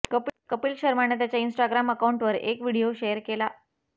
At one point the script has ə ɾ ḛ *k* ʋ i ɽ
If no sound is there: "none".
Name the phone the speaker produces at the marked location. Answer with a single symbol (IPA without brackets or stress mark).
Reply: k